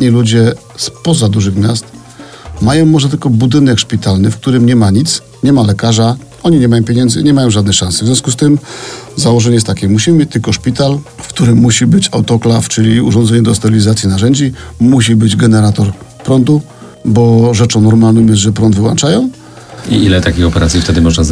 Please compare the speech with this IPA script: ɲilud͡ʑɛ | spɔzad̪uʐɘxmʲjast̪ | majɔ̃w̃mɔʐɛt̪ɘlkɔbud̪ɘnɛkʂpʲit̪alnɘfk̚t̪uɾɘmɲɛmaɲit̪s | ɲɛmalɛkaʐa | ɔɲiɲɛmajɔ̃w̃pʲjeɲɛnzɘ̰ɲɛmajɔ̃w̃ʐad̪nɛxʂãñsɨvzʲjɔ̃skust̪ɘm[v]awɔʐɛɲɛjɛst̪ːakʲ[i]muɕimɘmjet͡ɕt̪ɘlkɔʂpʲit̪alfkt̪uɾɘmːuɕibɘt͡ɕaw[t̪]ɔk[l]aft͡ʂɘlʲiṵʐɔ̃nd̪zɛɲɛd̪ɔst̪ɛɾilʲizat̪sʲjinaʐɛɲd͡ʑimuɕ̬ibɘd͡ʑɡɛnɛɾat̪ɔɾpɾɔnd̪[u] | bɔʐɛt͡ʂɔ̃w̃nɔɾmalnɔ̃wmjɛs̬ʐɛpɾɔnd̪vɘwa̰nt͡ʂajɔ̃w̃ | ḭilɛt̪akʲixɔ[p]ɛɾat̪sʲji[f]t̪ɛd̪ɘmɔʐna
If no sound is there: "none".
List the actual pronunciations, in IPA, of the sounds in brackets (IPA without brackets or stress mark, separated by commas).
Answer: z, ɛ, t̪, l, u, p, f